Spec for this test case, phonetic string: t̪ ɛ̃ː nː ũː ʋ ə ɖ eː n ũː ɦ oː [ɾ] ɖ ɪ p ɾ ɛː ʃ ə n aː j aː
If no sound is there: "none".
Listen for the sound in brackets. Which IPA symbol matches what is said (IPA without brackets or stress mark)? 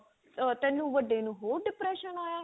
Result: ɾ